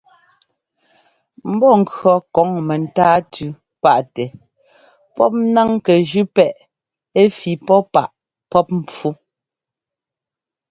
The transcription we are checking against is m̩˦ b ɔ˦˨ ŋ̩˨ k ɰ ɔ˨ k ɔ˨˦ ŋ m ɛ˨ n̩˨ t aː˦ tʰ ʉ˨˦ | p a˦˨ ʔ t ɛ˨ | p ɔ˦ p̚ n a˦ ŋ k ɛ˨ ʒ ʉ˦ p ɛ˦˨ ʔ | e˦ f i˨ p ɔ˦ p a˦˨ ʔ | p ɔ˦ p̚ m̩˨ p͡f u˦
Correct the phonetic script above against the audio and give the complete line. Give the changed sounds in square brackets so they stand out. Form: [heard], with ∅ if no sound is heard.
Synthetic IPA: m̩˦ b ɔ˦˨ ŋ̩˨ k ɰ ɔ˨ k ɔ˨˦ ŋ m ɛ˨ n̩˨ t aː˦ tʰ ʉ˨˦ | p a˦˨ ʔ t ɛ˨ | p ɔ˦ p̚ n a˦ ŋ k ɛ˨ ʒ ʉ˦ p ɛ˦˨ ʔ | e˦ f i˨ p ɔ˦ p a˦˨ ʔ | p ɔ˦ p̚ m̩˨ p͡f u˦